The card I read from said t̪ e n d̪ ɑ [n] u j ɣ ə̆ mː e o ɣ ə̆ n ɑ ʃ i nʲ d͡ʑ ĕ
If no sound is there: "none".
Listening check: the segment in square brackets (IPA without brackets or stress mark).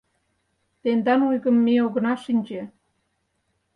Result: n